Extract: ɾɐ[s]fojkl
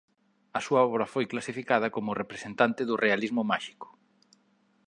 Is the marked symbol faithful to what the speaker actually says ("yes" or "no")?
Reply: no